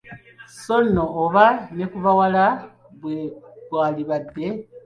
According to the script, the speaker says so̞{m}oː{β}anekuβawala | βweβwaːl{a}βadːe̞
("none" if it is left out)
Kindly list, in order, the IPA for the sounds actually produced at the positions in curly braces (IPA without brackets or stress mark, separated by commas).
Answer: n, β, i